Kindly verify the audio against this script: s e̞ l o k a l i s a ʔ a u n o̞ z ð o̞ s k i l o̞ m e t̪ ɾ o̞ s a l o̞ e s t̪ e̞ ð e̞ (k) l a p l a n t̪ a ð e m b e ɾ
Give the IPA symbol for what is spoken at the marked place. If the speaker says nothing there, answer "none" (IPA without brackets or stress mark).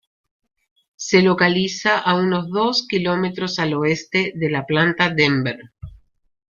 none